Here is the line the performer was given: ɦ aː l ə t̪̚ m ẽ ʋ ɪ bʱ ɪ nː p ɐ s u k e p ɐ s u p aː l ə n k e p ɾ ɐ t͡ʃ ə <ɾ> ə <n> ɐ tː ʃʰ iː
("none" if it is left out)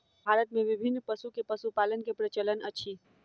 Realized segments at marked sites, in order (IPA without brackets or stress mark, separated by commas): l, n